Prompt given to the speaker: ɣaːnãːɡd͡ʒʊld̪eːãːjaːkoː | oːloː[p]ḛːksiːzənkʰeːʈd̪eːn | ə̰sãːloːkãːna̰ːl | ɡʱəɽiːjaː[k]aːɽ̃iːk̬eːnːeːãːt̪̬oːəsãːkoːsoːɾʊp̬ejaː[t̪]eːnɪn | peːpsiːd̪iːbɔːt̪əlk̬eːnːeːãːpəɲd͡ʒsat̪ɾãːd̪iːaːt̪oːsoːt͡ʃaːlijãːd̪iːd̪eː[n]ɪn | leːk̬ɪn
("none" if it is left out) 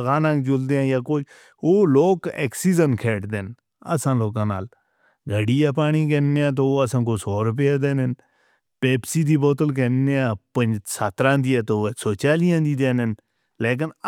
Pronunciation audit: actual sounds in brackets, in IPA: k, p, d̪, n

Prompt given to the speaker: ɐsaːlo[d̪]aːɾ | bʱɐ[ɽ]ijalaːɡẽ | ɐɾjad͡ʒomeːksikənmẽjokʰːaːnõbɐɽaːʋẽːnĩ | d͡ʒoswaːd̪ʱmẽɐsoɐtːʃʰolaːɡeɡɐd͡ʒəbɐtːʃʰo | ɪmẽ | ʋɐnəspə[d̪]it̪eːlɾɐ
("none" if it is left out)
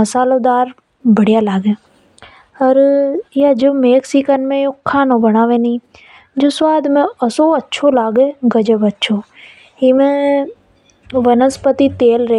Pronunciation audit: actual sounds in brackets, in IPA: d̪, ɽ, t̪

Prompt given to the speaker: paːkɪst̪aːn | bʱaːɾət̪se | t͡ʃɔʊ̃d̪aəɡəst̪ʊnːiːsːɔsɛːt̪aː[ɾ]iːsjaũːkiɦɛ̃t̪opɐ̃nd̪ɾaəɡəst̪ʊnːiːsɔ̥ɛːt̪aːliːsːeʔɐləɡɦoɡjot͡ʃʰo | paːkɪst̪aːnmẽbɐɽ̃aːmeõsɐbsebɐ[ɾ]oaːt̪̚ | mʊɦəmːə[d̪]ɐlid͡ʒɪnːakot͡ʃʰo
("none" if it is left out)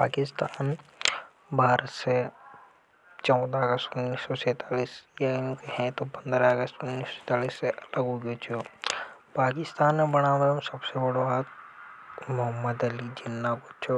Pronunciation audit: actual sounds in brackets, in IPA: l, ɽ, d̪

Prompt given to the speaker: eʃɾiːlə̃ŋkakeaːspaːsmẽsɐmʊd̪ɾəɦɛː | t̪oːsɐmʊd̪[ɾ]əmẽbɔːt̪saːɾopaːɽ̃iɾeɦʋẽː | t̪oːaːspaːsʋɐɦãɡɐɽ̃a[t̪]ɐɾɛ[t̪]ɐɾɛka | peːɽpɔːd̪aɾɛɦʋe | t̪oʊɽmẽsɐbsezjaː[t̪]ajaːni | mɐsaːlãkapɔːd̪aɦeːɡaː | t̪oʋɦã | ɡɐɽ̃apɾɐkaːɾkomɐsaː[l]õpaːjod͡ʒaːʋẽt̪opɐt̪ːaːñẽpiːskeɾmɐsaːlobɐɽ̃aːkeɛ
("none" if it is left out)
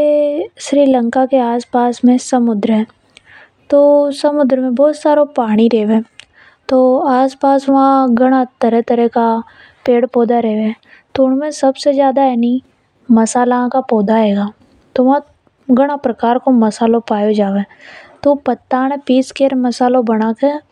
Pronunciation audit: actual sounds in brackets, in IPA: ɾ, t̪, t̪, d̪, l

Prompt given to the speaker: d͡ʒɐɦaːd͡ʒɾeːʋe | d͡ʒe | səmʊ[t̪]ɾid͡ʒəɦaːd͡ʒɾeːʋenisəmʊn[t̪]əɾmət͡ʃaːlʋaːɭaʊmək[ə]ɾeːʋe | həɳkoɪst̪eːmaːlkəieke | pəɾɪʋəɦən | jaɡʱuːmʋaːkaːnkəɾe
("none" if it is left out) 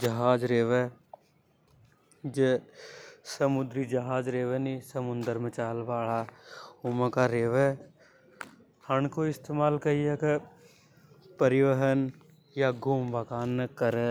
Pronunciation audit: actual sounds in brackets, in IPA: d̪, d̪, a

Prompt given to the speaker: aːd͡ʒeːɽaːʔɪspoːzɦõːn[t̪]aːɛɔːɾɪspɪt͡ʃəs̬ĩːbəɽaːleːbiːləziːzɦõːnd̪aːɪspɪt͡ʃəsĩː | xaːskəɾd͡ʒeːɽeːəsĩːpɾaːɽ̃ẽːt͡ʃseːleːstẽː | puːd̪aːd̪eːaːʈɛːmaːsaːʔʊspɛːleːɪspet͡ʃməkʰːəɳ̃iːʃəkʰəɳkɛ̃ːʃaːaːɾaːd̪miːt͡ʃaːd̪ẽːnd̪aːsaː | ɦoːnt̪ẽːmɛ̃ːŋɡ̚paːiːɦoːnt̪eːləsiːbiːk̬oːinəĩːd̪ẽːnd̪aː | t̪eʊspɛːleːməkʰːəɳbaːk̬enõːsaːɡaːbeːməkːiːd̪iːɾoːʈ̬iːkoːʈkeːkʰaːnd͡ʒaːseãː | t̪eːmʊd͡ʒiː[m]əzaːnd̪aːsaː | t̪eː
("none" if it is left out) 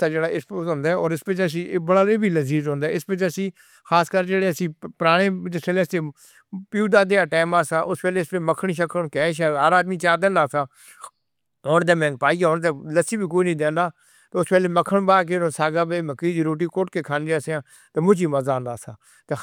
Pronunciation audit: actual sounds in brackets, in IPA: d̪, m

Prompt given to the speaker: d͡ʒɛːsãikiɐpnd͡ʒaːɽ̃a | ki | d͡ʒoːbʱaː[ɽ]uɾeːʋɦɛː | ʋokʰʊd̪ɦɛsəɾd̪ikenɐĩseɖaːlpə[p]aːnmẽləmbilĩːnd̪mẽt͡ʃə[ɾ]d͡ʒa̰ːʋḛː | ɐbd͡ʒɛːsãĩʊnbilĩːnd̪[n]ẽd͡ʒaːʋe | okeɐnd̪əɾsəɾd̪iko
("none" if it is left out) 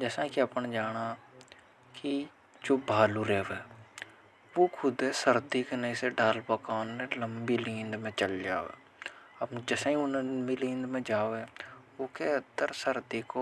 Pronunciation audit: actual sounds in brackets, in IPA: l, k, l, m

